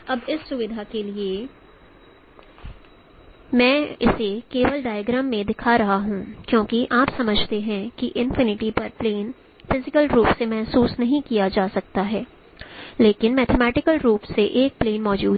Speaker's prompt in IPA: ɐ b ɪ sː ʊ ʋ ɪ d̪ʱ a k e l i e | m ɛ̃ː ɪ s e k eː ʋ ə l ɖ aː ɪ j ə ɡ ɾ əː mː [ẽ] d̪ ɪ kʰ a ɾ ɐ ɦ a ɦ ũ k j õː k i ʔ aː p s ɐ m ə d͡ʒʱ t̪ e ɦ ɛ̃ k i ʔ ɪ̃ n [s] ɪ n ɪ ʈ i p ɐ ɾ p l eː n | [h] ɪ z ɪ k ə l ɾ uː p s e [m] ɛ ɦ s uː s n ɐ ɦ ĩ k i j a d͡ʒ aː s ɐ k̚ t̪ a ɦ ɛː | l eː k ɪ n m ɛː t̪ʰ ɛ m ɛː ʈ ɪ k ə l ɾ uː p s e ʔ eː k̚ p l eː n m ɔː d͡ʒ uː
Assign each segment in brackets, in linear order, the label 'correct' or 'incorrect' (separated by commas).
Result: correct, incorrect, incorrect, correct